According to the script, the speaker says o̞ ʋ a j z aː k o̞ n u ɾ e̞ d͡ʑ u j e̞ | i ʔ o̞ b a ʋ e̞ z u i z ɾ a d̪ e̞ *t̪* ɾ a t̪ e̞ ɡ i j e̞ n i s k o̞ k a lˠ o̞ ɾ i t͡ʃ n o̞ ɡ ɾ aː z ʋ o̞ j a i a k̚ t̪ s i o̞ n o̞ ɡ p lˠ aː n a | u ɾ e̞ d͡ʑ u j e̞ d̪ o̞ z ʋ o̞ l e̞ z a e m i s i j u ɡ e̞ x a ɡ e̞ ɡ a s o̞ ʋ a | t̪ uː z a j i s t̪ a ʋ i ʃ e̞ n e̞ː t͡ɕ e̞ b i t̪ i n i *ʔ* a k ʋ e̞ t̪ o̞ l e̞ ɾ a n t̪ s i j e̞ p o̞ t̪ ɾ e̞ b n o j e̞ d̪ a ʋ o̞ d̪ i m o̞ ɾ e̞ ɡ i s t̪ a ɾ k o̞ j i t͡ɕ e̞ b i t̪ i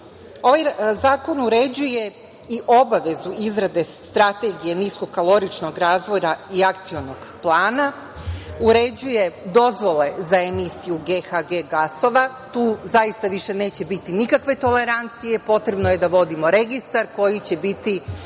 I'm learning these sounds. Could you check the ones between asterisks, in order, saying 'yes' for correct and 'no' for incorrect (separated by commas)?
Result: yes, no